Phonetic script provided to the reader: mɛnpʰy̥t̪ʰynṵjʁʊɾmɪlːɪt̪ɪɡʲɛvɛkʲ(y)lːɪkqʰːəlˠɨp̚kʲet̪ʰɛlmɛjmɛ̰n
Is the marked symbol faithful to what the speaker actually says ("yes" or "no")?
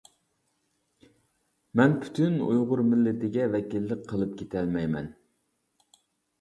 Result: no